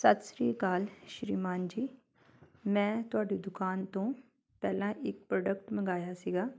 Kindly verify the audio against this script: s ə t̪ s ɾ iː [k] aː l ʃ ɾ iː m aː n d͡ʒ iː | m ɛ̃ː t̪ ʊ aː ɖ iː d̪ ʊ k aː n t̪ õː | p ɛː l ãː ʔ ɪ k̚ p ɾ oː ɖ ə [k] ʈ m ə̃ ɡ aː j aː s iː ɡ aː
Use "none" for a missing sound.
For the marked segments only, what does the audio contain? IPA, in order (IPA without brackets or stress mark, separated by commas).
k, k